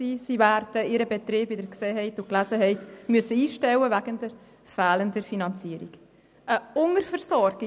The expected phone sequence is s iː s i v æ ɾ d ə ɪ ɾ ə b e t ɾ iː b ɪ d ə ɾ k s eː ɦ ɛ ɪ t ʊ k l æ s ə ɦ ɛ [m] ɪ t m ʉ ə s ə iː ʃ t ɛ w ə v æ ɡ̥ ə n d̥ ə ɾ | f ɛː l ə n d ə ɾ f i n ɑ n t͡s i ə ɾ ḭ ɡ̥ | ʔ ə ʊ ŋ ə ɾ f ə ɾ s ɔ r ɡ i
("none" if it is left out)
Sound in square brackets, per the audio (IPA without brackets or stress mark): none